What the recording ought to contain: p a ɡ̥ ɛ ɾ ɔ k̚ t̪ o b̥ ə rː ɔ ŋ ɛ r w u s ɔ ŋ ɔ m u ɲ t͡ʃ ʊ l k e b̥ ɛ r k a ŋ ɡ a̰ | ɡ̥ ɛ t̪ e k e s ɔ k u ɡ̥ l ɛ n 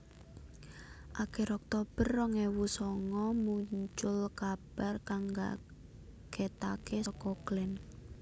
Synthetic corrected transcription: ʔ a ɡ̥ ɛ ɾ ɔ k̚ t̪ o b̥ ə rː ɔ ŋ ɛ w u s ɔ ŋ ɔ m u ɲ t͡ʃ ʊ l k a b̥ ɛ r k a ŋ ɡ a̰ | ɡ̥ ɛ t̪ a k e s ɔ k ɔ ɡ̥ l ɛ n